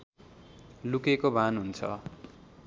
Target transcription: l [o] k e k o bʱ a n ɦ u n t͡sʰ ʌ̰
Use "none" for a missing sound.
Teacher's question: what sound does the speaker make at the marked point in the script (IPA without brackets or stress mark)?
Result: u